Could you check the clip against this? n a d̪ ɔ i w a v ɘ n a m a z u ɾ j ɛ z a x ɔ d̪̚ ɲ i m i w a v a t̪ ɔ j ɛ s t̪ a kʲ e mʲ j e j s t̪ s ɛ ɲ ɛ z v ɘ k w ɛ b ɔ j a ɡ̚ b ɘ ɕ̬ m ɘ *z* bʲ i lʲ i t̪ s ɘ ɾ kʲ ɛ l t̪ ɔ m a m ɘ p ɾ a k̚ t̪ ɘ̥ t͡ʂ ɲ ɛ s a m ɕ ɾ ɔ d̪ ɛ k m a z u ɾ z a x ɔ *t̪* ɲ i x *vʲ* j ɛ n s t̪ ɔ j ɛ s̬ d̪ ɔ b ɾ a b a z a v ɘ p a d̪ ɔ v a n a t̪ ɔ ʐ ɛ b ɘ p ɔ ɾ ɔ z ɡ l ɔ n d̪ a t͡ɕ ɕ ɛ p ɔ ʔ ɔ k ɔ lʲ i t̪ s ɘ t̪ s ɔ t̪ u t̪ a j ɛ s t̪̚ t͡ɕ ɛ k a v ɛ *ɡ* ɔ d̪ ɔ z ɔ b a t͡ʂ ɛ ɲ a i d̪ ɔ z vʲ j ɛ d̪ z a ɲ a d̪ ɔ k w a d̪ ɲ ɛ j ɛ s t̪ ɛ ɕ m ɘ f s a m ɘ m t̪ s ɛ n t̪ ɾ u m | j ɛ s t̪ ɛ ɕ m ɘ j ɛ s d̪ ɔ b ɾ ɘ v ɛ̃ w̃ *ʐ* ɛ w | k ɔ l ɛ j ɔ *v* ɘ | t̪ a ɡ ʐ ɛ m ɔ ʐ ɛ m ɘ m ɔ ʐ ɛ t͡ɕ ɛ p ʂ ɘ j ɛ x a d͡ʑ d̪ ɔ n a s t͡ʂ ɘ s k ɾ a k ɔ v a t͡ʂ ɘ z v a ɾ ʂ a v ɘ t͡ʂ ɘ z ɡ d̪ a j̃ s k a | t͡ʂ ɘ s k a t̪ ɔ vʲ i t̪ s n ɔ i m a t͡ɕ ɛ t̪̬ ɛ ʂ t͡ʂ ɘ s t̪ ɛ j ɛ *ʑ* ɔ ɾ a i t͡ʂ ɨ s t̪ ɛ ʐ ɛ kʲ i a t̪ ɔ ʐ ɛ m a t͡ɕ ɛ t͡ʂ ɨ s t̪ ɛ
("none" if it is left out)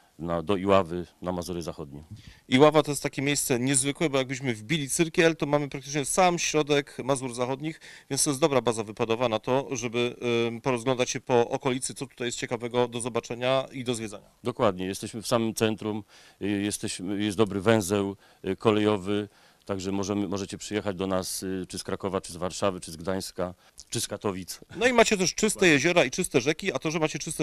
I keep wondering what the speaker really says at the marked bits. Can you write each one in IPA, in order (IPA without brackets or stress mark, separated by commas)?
v, d̪, vʲ, ɡ, z, v, ʑ